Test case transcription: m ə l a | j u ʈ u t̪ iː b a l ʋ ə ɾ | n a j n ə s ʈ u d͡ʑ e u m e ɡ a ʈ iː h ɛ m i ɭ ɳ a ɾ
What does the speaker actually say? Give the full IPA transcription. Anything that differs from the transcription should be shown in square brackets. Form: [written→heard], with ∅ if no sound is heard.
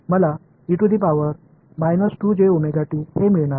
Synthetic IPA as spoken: m ə l a | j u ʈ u [t̪→d̪] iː [b→p] a [l→∅] ʋ ə ɾ | [n→m] a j n ə s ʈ u d͡ʑ e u m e ɡ a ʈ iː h [ɛ→e] m i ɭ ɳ a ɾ